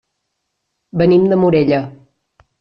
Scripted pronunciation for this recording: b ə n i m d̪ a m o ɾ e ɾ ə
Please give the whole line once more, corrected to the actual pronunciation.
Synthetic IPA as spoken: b ə n i m d̪ ə m u ɾ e ʎ ə